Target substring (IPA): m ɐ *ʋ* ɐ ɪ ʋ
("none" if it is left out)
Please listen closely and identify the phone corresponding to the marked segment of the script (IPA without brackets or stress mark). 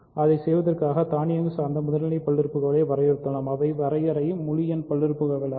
ʋ